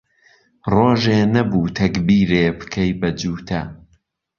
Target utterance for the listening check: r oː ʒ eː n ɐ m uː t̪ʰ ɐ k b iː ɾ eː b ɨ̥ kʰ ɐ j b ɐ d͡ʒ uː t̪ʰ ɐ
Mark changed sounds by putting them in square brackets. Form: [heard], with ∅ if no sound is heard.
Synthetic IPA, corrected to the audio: r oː ʒ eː n ɐ [b] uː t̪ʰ ɐ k b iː ɾ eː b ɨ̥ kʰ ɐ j b ɐ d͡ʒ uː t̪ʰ ɐ